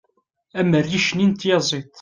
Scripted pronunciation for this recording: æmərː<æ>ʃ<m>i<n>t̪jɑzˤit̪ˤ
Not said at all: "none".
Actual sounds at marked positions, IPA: i, n, n

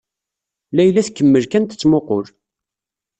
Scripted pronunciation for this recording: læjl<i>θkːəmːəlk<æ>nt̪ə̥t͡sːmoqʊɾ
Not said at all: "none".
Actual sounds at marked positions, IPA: æ, æ

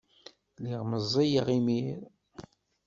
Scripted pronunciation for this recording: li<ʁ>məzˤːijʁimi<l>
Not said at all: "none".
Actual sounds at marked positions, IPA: ʁ, ɾ

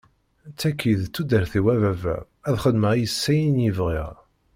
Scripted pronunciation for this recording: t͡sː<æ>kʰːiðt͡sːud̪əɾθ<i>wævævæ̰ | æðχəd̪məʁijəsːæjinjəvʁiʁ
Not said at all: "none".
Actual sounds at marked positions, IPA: æ, i

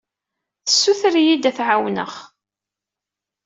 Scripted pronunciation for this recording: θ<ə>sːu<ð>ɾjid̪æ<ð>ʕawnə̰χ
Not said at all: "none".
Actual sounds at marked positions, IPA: ə, θ, θ

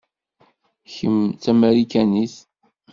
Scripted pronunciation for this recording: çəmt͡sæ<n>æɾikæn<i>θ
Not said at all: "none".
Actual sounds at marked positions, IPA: m, i

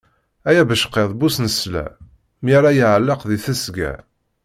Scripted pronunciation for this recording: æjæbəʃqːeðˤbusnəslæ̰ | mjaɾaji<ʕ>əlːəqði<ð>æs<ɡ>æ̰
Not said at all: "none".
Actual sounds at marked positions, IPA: ʕ, θ, ɡ

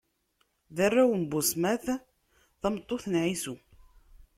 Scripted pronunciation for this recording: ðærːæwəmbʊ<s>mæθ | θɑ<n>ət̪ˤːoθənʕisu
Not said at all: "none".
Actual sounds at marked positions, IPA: s, m

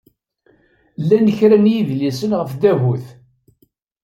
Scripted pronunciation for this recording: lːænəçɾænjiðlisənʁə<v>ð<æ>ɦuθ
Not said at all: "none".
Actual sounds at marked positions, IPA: f, æ

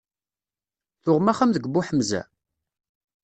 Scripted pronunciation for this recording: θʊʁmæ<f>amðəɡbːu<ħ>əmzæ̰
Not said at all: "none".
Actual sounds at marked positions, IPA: χ, ħ

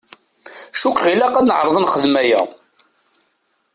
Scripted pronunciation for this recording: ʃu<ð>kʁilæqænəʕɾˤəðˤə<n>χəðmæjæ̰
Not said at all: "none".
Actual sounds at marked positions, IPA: none, n

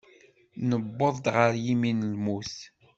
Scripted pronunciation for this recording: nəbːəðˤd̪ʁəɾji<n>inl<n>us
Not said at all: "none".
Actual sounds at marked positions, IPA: m, m

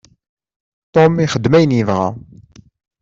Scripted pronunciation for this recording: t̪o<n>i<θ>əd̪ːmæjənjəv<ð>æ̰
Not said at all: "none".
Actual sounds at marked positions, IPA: m, χ, ʁ

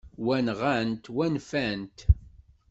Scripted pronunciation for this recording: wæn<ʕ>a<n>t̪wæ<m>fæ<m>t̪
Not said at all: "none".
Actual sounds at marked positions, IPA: ʁ, n, n, n

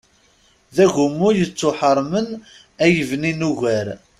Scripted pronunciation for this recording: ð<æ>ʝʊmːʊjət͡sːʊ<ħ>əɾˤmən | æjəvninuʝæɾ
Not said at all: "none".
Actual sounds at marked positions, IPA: æ, ħ

